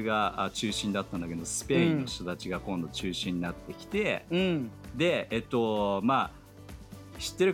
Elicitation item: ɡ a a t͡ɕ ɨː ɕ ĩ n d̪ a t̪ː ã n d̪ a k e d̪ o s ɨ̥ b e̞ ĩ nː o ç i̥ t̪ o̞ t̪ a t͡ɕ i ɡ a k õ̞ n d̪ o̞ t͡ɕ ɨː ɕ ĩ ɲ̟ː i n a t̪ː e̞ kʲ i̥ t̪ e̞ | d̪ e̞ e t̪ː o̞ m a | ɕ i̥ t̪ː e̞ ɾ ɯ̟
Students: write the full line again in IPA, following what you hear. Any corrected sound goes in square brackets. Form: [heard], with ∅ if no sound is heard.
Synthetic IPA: ɡ a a t͡ɕ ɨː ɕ ĩ n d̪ a t̪ː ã n d̪ a k e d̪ o s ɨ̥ [p] e̞ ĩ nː o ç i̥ t̪ o̞ t̪ a t͡ɕ i ɡ a k õ̞ n d̪ o̞ t͡ɕ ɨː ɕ ĩ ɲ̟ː i n a t̪ː e̞ kʲ i̥ t̪ e̞ | d̪ e̞ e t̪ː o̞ m a | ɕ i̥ t̪ː e̞ ɾ ɯ̟